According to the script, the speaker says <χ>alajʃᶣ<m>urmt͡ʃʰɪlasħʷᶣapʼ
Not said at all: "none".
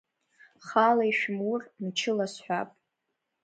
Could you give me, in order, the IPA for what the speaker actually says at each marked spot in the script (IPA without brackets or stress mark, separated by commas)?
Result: χ, m